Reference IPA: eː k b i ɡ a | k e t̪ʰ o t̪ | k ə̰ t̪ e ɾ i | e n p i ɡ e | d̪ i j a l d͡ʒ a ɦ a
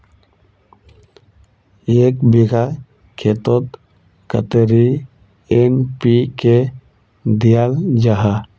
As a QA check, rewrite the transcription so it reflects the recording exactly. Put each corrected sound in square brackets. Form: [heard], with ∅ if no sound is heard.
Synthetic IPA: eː k b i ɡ a | [kʰ] e [t̪] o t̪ | k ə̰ t̪ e ɾ i | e n p i [k] e | d̪ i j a l d͡ʒ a ɦ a